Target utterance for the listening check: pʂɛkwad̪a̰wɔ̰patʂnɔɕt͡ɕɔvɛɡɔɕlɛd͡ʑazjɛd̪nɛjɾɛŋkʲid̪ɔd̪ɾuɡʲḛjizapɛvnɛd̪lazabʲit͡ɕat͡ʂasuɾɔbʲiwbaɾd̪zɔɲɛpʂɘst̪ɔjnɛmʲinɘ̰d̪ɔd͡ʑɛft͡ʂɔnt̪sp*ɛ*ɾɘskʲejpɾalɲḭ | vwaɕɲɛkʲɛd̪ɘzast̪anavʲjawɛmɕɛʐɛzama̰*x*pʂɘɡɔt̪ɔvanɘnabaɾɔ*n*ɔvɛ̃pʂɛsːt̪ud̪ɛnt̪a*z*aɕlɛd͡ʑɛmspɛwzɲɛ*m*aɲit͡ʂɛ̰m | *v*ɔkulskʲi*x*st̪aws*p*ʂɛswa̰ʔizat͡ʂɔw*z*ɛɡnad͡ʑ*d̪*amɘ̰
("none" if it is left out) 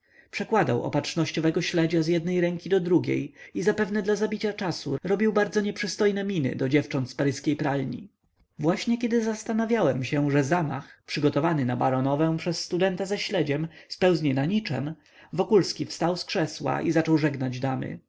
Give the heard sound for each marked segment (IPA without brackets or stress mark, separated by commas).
a, x, n, z, n, v, f, k, ʐ, d̪